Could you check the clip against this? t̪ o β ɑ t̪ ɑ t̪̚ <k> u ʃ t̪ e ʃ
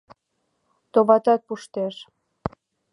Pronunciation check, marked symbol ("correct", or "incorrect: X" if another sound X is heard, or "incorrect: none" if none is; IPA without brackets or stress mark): incorrect: p